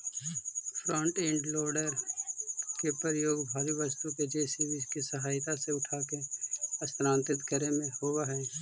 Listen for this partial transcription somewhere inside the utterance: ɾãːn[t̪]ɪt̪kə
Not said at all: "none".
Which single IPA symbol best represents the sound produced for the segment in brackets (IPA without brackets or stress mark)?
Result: t̪